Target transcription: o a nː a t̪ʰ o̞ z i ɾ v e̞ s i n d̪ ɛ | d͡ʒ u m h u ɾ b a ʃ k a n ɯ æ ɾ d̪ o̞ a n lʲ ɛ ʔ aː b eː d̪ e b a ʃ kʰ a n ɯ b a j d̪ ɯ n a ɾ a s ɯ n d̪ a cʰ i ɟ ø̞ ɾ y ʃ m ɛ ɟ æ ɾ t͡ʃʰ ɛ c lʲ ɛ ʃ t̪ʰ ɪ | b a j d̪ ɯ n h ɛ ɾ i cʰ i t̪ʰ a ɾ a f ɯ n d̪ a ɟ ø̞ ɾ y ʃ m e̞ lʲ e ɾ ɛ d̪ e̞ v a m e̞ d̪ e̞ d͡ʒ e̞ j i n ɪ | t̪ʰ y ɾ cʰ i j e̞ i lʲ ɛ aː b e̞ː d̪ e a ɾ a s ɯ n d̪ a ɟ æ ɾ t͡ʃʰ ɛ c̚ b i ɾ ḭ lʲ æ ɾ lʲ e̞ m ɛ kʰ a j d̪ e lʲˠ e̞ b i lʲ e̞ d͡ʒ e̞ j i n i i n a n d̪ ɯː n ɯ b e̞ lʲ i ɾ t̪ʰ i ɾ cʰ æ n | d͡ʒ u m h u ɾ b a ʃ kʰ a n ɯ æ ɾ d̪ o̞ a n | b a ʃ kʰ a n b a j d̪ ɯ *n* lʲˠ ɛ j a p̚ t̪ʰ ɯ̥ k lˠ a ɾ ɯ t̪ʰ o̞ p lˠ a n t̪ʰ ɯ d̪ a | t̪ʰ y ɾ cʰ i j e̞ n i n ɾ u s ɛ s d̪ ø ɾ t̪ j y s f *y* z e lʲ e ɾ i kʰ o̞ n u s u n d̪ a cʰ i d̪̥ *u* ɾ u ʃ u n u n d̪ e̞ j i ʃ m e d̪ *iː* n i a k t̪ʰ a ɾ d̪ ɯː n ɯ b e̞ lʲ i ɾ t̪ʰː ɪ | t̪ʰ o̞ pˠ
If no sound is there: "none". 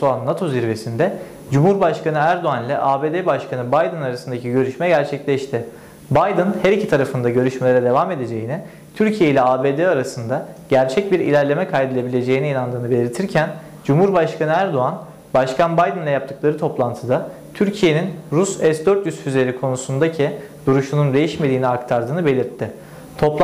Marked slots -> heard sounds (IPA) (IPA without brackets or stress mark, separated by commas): n, y, u, iː